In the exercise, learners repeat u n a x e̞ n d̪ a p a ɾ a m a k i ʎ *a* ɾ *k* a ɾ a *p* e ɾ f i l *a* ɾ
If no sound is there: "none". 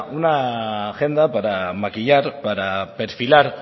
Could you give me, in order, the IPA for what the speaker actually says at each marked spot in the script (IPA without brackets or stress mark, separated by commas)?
a, p, p, a